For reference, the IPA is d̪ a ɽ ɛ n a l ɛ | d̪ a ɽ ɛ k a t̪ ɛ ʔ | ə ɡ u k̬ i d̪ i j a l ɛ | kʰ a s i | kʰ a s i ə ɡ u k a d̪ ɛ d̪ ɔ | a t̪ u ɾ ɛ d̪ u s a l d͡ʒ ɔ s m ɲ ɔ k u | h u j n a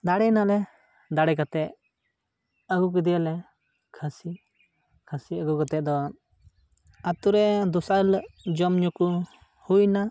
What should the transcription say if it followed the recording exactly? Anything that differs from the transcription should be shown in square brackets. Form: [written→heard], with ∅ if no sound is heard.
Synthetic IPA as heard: d̪ a ɽ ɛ n a l ɛ | d̪ a ɽ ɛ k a t̪ ɛ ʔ | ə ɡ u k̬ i d̪ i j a l ɛ | kʰ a s i | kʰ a s i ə ɡ u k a [d̪→t̪] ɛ d̪ ɔ | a t̪ u ɾ ɛ d̪ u s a l d͡ʒ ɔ [s→∅] m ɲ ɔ k u | h u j n a

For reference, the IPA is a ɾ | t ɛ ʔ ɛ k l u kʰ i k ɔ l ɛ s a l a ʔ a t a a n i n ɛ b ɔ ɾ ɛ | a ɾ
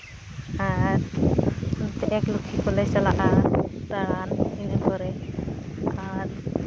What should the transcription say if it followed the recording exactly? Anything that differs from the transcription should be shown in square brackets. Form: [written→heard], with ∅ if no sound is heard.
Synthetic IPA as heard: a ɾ | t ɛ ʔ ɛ k l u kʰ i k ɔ l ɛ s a l a ʔ a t a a n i n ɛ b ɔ ɾ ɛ | a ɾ

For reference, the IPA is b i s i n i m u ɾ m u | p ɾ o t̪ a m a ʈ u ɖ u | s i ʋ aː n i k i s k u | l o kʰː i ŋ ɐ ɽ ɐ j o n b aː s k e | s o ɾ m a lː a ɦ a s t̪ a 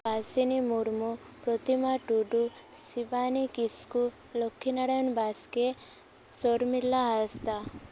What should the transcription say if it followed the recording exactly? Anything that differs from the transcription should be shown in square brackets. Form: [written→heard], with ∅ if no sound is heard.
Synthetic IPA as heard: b [i→a] s i n i m u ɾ m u | p ɾ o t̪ [a→i] m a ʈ u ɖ u | s i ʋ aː n i k i s k u | l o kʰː i [ŋ→n] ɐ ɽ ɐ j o n b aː s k e | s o ɾ m [a→i] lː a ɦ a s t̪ a

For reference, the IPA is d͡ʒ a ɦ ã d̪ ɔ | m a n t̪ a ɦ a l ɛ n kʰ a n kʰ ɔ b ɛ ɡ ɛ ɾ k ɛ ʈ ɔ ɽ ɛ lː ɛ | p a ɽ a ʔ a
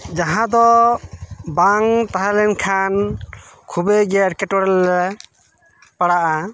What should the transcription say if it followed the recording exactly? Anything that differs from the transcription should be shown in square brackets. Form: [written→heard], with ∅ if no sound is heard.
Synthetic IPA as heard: d͡ʒ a ɦ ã d̪ ɔ | [m→b] a [n→ŋ] t̪ a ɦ a l ɛ n kʰ a n kʰ [ɔ→u] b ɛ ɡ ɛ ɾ k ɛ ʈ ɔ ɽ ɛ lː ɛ | p a ɽ a ʔ a

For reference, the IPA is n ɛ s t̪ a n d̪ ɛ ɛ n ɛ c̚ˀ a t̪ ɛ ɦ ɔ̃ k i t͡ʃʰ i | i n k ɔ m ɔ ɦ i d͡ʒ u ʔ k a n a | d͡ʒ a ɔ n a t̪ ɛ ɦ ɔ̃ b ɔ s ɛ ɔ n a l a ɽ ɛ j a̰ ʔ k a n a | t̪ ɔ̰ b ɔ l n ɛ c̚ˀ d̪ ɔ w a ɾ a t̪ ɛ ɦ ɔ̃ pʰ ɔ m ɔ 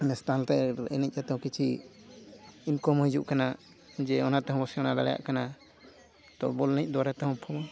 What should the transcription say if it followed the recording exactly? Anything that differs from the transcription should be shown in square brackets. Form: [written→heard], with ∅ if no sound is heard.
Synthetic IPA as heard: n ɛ s t̪ a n [d̪→t̪] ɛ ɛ n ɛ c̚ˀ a t̪ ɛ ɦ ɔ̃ k i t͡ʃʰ i | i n k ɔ m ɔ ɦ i d͡ʒ u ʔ k a n a | d͡ʒ [a→ɛ] ɔ n a t̪ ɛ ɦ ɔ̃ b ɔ s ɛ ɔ n a l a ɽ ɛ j a̰ ʔ k a n a | t̪ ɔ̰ b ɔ l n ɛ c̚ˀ d̪ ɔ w a ɾ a t̪ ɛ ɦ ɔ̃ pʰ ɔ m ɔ

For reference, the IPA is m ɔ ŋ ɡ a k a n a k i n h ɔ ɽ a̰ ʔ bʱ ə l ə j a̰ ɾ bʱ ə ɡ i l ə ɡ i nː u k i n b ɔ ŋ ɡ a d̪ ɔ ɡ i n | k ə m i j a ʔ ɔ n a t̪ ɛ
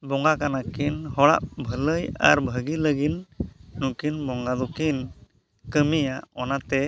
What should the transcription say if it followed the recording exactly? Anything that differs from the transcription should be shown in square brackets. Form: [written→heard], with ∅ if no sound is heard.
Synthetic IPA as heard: [m→b] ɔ ŋ ɡ a k a n a k i n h ɔ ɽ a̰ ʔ bʱ ə l ə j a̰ ɾ bʱ ə ɡ i l ə ɡ i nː u k i n b ɔ ŋ ɡ a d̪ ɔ [ɡ→k] i n | k ə m i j a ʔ ɔ n a t̪ ɛ

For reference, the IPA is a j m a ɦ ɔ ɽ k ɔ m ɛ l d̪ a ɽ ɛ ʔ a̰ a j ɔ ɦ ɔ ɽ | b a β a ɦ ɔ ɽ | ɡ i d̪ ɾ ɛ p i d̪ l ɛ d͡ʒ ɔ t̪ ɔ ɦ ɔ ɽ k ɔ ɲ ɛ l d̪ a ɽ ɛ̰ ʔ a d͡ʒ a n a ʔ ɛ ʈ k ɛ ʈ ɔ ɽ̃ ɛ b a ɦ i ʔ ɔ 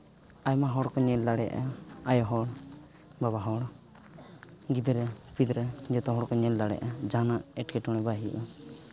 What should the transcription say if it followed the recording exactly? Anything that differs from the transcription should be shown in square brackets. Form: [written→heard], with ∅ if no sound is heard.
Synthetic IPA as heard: a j m a ɦ ɔ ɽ k ɔ [m→ɲ] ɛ l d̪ a ɽ ɛ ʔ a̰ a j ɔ ɦ ɔ ɽ | b a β a ɦ ɔ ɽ | ɡ i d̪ ɾ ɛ p i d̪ [l→ɾ] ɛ d͡ʒ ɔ t̪ ɔ ɦ ɔ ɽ k ɔ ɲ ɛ l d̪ a ɽ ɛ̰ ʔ a d͡ʒ a n a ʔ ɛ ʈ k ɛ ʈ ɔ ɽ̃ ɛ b a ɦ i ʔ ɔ

